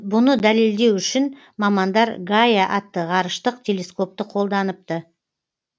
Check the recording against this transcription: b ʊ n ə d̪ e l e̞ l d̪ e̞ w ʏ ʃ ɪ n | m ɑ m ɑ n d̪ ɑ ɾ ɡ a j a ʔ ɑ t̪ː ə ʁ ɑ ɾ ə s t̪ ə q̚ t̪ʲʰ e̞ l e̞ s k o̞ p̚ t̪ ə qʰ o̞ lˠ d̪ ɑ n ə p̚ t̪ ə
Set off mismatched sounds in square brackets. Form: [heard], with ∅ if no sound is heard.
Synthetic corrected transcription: b ʊ n ə d̪ [æ] l e̞ l d̪ e̞ w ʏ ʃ ɪ n | m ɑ m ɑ n d̪ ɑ ɾ ɡ a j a ʔ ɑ t̪ː ə ʁ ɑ ɾ ə [ʃ] t̪ ə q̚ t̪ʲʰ e̞ l e̞ s k o̞ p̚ t̪ ə qʰ o̞ lˠ d̪ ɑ n ə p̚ t̪ ə